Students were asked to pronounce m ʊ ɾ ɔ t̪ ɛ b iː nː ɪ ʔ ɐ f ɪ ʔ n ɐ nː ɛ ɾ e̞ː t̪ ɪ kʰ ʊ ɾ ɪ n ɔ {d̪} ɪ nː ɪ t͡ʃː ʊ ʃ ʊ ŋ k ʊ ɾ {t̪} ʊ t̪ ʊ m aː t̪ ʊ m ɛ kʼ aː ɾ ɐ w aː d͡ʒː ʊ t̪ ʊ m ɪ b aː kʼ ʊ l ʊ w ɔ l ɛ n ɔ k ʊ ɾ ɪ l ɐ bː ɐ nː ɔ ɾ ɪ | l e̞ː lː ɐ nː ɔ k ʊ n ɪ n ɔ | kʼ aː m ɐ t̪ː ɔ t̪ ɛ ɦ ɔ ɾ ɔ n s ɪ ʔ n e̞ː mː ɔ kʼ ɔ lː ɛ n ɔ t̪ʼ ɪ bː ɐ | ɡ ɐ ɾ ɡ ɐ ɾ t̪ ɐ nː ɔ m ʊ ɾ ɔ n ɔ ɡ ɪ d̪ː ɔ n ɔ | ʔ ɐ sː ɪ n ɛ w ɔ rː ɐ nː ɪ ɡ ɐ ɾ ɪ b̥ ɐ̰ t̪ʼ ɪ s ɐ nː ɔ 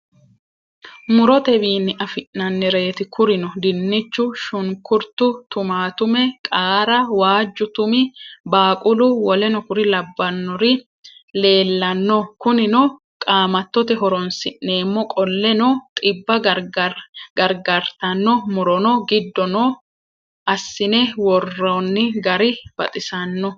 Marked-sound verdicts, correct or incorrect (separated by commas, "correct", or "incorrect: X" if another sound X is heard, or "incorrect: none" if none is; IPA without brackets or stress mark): correct, correct